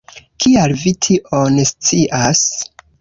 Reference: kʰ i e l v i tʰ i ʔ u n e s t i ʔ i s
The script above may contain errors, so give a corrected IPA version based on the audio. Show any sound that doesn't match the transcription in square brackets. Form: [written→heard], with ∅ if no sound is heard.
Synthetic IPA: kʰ i [e→a] l v i tʰ i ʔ [u→o] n e s [t→t͡s] i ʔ [i→a] s